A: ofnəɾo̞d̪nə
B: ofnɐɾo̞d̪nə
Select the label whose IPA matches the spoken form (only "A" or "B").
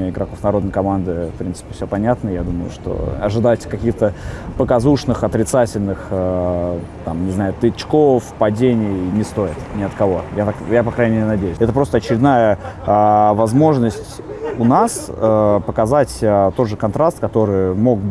B